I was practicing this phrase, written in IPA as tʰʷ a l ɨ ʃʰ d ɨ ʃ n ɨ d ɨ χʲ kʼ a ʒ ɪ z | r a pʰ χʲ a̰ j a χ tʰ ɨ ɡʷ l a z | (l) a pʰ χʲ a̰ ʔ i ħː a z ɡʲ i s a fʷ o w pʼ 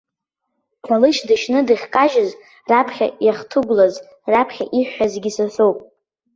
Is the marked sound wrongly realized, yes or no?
yes